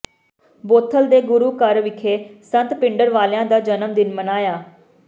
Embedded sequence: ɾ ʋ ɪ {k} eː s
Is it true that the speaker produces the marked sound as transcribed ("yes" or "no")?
no